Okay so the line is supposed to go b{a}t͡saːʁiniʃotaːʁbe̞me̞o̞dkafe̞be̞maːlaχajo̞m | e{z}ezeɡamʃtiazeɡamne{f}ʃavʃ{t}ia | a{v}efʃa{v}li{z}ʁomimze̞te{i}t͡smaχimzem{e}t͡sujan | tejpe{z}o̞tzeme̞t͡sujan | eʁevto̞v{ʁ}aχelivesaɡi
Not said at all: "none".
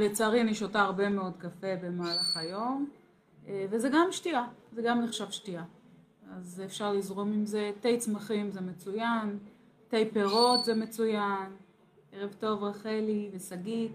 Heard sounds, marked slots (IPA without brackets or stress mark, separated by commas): e, v, χ, t, z, ʁ, z, j, e, ʁ, ʁ